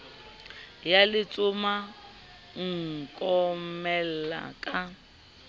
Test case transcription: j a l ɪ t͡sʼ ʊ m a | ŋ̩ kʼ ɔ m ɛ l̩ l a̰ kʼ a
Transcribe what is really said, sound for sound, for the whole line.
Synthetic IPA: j a l ɪ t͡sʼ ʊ m a | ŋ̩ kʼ ɔ m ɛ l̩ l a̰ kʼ a